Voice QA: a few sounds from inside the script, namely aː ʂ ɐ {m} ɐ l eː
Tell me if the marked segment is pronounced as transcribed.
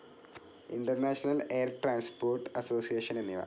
no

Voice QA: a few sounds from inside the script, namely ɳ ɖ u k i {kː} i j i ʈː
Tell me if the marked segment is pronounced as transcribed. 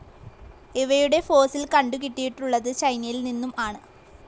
no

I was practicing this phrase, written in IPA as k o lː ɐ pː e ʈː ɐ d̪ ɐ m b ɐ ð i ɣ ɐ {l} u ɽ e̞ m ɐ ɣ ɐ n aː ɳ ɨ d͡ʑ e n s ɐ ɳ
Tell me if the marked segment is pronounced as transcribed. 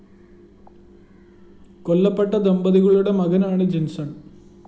no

